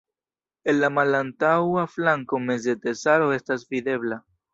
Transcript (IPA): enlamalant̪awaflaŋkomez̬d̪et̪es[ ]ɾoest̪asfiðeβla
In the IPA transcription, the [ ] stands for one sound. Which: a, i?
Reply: a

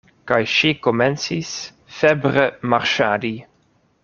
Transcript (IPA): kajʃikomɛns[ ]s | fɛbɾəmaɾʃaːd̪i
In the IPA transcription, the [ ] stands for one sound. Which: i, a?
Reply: i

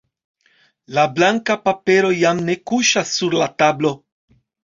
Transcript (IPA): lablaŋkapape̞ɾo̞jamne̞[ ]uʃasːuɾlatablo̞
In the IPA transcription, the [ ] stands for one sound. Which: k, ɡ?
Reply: k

